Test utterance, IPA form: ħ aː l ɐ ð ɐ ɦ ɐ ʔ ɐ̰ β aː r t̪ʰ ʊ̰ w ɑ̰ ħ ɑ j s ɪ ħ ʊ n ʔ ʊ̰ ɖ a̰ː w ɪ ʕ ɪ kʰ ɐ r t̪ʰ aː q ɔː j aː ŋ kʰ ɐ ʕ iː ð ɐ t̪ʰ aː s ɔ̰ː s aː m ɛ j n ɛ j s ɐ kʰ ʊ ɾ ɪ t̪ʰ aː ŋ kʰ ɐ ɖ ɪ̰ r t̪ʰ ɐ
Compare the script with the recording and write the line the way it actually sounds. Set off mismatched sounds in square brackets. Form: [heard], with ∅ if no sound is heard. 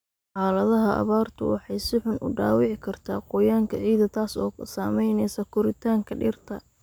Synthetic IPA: ħ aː l ɐ ð ɐ ɦ ɐ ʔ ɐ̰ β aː r t̪ʰ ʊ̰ w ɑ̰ ħ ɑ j s ɪ ħ ʊ n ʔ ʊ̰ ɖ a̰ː w ɪ ʕ ɪ kʰ ɐ r t̪ʰ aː q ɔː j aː ŋ kʰ ɐ ʕ iː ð ɐ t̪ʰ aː s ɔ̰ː s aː m ɛ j n ɛ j s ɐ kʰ ʊ ɾ ɪ t̪ʰ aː ŋ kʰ ɐ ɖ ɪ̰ r t̪ʰ ɐ